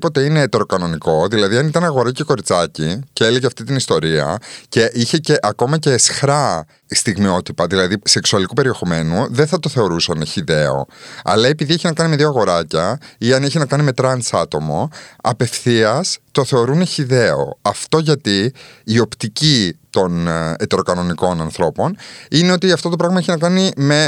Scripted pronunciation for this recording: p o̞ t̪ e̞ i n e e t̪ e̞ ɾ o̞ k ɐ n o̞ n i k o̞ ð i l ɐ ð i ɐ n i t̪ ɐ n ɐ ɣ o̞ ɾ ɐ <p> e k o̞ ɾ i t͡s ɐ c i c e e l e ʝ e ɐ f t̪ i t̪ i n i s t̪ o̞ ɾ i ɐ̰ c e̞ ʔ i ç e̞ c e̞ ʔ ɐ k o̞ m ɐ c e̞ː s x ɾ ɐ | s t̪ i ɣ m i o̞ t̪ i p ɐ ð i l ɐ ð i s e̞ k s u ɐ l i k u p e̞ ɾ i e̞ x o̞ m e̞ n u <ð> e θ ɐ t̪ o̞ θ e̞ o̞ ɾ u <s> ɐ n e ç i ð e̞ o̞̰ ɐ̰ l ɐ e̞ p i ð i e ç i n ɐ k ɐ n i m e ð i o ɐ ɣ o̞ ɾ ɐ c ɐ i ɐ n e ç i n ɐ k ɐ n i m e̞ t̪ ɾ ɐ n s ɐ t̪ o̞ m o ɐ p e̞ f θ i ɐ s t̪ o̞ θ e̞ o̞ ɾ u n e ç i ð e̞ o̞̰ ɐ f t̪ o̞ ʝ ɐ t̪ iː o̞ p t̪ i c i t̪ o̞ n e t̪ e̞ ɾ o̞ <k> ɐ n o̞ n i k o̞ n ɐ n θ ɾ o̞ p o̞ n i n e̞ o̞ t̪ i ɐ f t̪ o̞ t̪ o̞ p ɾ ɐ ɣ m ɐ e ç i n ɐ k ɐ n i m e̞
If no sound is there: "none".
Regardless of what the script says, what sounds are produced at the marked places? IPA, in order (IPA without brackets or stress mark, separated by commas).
c, ð, s, k